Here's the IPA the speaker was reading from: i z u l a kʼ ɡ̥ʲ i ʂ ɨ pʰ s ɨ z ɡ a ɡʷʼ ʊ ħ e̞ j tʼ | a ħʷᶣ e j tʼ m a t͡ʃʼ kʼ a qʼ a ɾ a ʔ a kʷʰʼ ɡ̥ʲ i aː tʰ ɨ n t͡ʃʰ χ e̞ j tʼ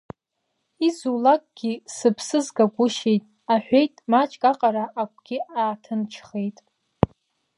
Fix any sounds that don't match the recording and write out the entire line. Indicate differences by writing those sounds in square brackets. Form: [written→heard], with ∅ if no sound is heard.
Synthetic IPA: i z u l a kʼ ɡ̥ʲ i [ʂ→s] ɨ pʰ s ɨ z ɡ a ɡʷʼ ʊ [ħ→ʃ] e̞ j tʼ | a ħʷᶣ e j tʼ m a t͡ʃʼ kʼ a qʼ a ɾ a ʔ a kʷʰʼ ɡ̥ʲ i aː tʰ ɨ n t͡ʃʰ χ e̞ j tʼ